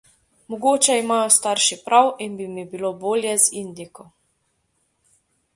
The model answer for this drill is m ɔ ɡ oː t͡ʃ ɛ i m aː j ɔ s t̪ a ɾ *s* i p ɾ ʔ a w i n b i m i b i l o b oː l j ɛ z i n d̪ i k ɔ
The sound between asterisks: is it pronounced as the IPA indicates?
no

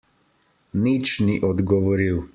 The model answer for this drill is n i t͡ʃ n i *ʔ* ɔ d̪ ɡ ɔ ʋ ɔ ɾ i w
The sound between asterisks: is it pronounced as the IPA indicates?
yes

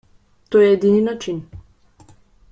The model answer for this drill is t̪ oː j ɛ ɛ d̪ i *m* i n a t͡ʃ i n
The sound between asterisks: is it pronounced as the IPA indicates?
no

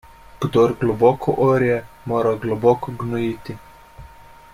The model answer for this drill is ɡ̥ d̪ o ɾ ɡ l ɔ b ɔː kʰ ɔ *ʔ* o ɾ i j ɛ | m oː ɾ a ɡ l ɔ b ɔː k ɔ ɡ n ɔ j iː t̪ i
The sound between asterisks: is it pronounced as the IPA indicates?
yes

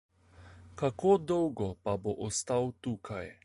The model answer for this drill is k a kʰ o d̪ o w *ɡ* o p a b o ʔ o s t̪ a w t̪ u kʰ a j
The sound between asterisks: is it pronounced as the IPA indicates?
yes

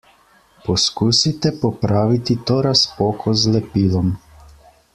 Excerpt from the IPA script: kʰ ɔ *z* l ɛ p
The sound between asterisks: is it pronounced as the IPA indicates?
yes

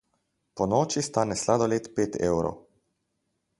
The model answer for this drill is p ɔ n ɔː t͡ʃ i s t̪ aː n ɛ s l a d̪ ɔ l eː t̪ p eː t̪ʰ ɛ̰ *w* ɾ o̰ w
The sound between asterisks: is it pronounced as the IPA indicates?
yes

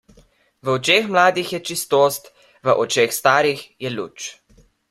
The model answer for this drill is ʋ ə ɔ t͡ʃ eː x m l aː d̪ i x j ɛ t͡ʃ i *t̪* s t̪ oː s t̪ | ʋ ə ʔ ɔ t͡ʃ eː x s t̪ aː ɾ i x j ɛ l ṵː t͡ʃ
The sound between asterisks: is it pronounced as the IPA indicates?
no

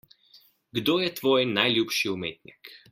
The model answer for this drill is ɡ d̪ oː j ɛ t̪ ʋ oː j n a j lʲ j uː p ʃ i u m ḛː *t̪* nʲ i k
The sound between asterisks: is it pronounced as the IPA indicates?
yes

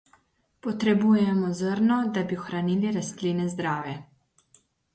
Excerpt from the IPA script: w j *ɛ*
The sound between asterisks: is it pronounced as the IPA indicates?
yes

